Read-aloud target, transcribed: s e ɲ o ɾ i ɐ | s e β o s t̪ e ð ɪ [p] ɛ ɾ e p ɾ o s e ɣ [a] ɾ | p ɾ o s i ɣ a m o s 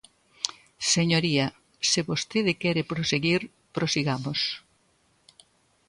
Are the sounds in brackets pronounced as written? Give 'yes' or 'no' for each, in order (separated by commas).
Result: no, no